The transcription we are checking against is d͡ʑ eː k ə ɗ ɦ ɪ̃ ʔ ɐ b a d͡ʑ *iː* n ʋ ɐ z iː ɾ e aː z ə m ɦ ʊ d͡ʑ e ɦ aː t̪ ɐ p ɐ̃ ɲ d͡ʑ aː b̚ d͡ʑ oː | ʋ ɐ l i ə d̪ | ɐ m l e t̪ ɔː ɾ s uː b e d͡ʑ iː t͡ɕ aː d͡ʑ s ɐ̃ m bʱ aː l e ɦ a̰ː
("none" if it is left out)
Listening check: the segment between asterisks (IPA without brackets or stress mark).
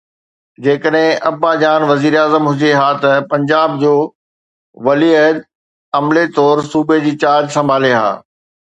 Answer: aː